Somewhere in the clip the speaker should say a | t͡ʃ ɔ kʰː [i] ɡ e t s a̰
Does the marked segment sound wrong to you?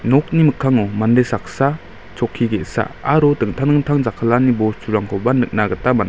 no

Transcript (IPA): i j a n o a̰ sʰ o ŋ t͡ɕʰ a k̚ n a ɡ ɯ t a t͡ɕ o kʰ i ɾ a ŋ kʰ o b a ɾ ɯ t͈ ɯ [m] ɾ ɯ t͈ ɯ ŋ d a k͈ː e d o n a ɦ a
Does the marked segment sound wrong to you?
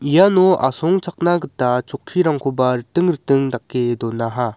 yes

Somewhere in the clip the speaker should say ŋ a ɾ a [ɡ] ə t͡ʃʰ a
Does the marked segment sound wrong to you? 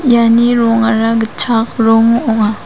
no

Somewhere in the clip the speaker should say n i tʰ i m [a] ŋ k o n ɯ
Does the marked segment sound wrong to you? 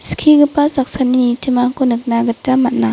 no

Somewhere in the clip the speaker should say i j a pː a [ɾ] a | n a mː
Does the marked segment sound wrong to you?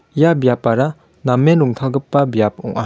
no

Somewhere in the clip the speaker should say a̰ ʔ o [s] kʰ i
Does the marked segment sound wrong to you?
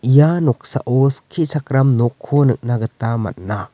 no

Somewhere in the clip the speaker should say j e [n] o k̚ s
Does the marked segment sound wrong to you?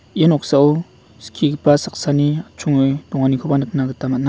no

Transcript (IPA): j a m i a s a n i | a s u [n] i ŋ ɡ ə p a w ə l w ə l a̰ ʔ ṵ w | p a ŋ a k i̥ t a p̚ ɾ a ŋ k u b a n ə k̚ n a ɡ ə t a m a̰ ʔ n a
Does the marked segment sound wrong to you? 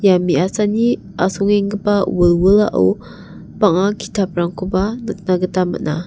yes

